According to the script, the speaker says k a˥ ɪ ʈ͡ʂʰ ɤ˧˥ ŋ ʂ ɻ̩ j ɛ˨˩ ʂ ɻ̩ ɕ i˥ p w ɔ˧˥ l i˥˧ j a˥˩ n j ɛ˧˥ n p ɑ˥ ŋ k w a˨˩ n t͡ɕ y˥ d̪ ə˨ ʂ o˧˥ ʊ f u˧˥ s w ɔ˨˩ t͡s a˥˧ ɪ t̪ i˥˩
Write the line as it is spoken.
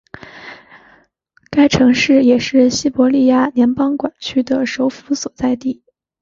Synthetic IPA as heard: k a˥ ɪ ʈ͡ʂʰ ɤ˧˥ ŋ ʂ ɻ̩ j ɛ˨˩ ʂ ɻ̩ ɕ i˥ p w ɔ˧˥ l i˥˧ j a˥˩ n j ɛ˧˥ n p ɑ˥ ŋ k w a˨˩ n t͡ɕʰ y˥ d̪ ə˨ ʂ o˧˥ ʊ f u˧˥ s w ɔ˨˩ t͡s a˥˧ ɪ t̪ i˥˩